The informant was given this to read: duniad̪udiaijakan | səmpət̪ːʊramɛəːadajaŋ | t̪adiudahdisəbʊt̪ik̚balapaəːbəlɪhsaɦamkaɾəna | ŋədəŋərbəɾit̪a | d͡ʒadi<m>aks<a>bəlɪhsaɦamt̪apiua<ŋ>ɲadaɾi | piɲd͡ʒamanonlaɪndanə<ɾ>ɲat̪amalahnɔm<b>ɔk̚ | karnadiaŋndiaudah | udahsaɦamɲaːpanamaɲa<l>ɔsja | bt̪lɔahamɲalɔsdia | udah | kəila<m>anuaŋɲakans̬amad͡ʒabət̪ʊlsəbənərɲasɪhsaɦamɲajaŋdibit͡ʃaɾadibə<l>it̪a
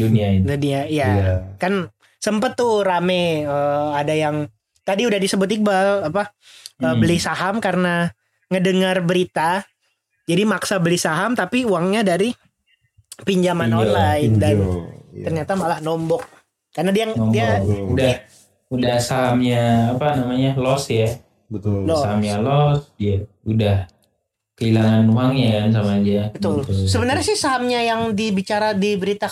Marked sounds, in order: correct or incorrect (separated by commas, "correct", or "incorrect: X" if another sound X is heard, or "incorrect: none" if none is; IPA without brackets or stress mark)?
correct, correct, correct, incorrect: r, correct, correct, incorrect: ŋ, incorrect: ɾ